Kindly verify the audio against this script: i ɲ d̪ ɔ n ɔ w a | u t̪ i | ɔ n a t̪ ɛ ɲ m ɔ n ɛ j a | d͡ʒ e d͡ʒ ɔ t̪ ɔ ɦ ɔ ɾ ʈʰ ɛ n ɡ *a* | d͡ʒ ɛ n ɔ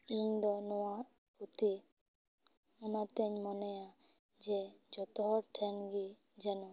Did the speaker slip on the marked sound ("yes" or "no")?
yes